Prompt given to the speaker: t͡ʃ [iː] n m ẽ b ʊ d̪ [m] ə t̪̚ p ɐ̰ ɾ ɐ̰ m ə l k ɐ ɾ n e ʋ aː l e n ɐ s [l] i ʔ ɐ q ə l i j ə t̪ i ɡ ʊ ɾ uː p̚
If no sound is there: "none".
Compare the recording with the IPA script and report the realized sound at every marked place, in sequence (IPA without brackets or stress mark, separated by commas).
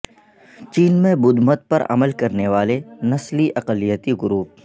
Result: iː, m, l